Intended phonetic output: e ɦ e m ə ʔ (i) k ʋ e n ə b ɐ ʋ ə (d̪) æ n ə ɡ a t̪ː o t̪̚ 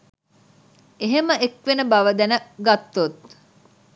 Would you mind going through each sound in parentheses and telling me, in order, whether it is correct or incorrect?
incorrect, correct

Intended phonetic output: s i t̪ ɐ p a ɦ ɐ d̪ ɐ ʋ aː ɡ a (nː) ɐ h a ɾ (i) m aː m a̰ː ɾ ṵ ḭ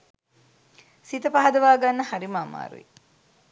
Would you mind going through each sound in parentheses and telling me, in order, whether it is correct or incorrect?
correct, correct

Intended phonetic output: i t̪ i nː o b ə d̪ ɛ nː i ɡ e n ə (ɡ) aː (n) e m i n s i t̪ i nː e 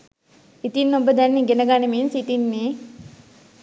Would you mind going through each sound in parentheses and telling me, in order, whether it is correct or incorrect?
correct, correct

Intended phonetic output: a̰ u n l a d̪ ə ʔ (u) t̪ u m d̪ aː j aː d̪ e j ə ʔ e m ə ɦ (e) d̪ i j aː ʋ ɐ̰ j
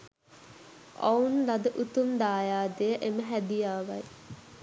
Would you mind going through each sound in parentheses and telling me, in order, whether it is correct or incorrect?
correct, incorrect

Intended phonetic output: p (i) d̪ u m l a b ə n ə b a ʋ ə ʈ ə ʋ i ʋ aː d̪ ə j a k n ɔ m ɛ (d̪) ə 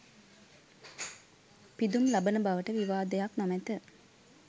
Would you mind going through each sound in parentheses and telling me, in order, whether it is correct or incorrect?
correct, incorrect

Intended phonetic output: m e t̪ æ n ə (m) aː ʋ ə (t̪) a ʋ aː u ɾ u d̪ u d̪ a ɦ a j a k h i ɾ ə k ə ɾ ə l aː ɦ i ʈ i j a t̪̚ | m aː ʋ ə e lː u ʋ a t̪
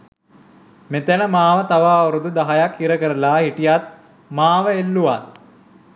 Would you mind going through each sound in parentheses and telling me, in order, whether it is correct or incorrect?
correct, correct

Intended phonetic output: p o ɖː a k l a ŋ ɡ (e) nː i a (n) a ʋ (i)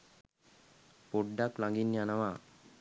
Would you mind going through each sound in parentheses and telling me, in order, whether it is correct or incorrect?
incorrect, correct, incorrect

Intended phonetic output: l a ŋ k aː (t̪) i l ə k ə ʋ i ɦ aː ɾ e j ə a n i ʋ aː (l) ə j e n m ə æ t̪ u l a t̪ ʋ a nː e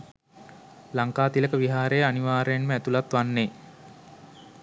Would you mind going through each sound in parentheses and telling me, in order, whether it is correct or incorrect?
correct, incorrect

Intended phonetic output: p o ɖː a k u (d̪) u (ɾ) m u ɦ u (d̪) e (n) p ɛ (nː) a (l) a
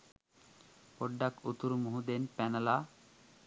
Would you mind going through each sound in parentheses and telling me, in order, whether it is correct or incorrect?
incorrect, correct, correct, correct, incorrect, correct

